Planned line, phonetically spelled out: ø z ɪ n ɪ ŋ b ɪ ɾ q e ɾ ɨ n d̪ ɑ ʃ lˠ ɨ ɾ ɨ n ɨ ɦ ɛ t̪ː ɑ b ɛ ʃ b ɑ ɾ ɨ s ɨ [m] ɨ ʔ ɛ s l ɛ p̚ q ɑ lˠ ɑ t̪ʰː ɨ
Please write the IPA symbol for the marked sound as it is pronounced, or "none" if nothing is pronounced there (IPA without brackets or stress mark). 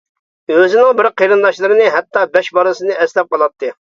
n